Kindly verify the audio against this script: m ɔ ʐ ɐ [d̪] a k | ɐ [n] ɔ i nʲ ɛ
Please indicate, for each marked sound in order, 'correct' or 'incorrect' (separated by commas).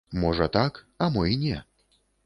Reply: incorrect, incorrect